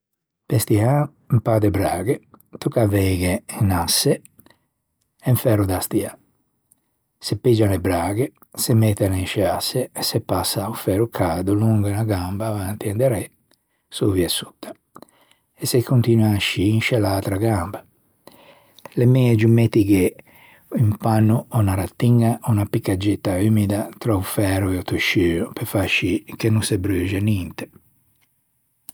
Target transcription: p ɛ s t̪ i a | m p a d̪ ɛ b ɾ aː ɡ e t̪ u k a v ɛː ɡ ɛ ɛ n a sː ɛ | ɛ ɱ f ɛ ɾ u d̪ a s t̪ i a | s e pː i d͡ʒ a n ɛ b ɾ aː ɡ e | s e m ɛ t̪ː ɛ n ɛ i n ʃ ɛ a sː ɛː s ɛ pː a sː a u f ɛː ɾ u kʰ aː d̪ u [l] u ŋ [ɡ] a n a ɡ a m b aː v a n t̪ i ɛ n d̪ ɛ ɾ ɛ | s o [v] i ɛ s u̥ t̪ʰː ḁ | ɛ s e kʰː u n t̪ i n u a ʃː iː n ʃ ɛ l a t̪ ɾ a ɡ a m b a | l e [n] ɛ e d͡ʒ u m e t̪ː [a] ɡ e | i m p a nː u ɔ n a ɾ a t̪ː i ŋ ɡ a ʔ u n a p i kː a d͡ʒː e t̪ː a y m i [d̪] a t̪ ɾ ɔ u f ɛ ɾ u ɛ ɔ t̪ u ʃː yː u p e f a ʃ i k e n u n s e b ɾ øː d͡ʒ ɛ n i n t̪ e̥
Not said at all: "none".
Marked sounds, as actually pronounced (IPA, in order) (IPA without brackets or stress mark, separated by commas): l, ɡ, v, m, i, d̪